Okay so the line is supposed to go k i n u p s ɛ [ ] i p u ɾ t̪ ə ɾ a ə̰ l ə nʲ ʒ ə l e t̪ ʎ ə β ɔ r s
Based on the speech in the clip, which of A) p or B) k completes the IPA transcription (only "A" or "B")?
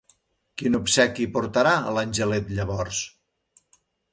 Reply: B